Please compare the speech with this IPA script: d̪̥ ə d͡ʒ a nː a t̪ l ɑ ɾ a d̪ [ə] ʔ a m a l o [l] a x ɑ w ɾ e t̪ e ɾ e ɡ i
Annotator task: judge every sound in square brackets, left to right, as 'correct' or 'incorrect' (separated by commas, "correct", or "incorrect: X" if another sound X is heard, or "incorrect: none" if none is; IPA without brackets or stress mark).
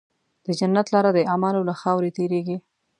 correct, correct